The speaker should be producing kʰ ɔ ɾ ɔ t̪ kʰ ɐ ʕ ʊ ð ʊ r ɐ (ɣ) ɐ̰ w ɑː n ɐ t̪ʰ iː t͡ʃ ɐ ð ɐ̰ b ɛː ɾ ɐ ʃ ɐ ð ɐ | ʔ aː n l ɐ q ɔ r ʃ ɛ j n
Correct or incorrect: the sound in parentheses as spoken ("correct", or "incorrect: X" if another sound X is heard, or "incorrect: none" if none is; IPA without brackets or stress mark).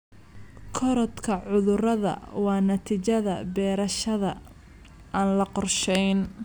incorrect: ð